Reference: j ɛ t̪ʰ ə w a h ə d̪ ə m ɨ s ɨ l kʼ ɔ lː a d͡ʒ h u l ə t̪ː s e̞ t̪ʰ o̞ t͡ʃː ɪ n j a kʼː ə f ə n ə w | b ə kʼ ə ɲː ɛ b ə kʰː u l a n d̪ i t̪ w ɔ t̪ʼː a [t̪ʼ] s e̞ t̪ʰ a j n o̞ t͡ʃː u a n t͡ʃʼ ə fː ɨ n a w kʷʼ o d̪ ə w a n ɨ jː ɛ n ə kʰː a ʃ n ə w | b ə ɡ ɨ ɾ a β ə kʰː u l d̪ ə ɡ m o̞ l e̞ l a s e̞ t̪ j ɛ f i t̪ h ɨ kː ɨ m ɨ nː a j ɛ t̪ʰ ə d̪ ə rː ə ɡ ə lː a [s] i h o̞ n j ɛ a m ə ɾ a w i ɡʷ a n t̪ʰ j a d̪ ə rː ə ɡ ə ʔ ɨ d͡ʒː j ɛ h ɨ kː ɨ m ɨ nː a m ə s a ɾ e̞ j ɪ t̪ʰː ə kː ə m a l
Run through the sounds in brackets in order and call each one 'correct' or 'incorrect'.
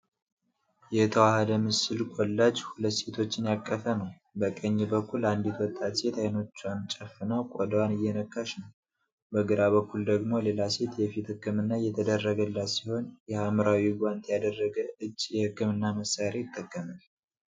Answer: incorrect: t̪, correct

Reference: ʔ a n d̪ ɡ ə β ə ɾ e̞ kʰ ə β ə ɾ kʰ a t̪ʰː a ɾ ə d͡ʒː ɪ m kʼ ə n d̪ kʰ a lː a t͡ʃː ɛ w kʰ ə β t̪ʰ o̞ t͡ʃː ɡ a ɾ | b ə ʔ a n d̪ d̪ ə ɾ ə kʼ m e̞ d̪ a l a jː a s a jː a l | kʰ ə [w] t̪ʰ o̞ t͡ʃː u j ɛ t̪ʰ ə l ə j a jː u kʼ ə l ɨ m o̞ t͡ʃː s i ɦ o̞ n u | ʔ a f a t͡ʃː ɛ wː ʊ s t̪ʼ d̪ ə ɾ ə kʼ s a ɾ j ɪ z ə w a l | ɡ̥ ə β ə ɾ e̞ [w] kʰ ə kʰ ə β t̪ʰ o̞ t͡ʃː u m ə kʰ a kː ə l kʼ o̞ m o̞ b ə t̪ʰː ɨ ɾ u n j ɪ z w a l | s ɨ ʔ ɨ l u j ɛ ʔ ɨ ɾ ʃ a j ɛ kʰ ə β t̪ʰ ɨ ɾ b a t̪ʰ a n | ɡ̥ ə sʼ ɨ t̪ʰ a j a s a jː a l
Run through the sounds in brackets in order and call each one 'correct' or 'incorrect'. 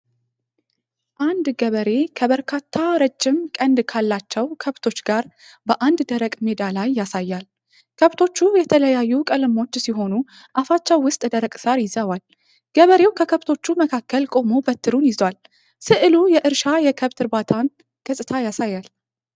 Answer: incorrect: β, correct

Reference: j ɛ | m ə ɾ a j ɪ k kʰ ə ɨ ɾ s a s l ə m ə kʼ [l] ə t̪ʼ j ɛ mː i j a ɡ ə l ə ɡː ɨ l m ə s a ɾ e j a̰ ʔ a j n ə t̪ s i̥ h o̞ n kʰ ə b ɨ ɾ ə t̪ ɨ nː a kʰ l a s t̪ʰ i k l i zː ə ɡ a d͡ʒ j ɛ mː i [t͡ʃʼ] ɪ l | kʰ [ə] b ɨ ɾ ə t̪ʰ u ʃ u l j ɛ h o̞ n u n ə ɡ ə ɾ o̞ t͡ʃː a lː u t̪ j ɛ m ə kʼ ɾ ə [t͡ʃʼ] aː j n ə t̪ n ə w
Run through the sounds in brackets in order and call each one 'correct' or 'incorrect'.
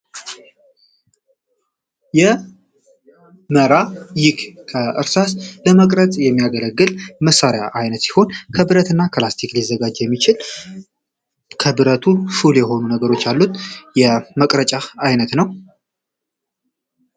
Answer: incorrect: ɾ, incorrect: t͡ʃ, correct, correct

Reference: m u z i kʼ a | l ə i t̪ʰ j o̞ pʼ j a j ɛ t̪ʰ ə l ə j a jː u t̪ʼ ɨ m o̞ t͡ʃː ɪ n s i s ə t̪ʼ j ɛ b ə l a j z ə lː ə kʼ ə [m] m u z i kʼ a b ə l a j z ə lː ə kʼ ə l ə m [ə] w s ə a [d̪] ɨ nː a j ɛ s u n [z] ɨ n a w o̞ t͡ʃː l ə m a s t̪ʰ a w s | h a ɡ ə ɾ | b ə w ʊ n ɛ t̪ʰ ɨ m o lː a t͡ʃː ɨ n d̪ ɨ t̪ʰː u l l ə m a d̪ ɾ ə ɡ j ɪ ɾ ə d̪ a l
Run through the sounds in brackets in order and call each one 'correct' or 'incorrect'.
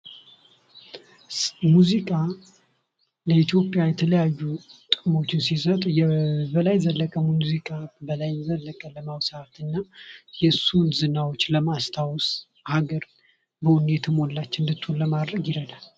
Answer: correct, incorrect: a, incorrect: t̪, correct

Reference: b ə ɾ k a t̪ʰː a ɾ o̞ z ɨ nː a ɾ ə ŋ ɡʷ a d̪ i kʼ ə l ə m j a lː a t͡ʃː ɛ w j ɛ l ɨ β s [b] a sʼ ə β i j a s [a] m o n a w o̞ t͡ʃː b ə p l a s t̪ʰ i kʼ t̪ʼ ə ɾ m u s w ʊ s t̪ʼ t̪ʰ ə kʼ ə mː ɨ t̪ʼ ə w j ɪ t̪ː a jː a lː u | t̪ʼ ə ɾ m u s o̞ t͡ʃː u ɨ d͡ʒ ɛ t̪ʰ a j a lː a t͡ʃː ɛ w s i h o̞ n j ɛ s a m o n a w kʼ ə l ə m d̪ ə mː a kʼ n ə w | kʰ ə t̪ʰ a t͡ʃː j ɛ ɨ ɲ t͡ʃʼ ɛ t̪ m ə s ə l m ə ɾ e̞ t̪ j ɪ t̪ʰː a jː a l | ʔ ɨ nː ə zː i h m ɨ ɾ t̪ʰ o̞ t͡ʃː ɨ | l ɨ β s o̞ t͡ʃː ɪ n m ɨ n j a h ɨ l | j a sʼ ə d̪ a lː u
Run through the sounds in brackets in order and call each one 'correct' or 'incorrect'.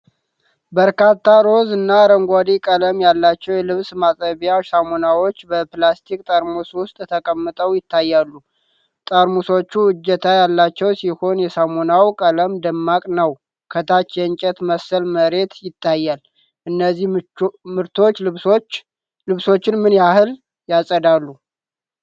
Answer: incorrect: m, correct

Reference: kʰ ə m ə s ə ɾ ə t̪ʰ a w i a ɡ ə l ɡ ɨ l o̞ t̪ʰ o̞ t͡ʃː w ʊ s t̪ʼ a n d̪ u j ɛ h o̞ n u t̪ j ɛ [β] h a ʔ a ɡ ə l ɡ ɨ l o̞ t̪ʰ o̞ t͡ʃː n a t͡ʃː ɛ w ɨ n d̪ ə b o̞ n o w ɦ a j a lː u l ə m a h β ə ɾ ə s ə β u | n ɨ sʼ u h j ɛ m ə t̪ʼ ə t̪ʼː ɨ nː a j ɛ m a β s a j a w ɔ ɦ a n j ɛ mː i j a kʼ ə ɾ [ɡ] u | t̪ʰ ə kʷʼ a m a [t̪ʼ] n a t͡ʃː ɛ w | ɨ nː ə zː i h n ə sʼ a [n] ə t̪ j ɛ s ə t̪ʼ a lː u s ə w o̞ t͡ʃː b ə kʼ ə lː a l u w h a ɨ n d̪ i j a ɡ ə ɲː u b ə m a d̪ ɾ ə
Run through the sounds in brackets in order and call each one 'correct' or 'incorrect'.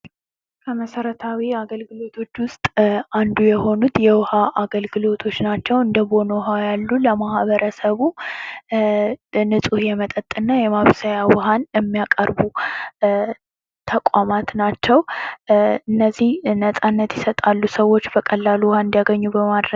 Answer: incorrect: w, incorrect: b, incorrect: t̪, incorrect: nː

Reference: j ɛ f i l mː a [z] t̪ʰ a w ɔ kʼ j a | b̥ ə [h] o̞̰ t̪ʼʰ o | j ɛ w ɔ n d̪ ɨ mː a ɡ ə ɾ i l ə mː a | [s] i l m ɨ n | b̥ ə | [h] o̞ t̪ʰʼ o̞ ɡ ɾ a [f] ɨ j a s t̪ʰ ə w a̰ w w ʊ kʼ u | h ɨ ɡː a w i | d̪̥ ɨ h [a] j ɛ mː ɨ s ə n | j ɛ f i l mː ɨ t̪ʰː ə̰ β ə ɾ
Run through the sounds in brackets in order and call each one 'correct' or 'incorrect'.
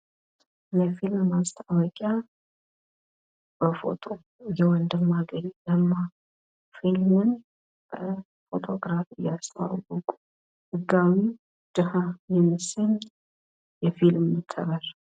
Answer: incorrect: s, incorrect: f, incorrect: f, incorrect: f, correct, correct

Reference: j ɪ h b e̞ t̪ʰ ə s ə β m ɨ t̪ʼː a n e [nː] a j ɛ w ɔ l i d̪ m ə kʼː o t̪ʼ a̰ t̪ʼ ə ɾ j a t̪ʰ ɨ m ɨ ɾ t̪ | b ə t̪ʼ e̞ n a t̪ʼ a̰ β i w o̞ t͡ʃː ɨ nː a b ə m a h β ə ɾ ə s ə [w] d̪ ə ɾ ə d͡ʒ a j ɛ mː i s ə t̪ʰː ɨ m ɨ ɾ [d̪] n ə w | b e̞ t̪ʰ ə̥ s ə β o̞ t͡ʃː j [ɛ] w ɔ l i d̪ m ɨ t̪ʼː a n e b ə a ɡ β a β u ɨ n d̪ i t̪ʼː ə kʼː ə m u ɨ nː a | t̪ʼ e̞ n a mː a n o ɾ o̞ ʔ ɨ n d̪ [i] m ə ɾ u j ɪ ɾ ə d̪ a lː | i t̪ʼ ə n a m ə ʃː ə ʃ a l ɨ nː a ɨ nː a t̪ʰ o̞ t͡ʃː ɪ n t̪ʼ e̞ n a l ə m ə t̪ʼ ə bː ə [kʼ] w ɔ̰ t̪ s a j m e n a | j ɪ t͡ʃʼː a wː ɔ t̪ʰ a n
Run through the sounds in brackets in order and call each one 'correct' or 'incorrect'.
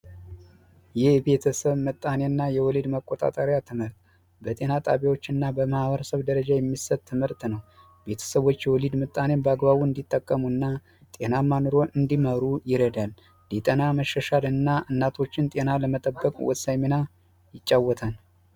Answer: correct, incorrect: β, incorrect: t̪, correct, correct, correct

